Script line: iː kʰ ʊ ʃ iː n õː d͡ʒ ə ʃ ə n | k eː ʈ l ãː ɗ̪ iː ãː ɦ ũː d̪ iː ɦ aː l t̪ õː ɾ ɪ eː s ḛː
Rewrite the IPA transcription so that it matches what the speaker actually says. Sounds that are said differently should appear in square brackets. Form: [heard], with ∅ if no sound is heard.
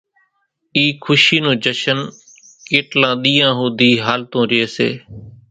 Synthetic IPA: iː kʰ ʊ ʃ iː n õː d͡ʒ ə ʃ ə n | k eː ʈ l ãː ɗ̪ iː ãː ɦ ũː d̪ iː ɦ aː l t̪ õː ɾ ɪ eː s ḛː